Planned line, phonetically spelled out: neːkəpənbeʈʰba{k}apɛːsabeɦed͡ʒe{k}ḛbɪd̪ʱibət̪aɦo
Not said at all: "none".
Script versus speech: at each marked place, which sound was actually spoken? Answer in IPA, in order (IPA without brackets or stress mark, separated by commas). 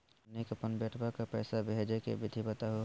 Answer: k, k